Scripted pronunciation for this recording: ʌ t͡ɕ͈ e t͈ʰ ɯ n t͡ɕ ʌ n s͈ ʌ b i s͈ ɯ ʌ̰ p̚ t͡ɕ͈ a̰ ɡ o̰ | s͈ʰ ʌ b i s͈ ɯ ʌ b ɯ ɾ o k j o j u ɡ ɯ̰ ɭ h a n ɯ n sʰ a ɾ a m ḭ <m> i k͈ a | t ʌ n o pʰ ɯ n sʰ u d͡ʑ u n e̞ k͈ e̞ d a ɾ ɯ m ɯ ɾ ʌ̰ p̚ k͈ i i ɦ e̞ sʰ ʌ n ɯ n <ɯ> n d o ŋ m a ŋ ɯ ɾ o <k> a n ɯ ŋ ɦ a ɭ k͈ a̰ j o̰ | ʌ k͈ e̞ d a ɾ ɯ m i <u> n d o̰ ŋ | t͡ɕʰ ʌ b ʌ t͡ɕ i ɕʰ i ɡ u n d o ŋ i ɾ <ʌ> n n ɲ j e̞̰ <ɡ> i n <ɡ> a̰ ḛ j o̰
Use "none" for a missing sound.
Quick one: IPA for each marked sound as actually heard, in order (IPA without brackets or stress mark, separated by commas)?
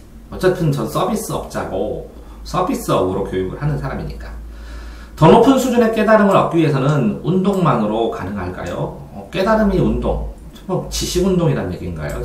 ɲ, u, k, u, a, ɡ, ɡ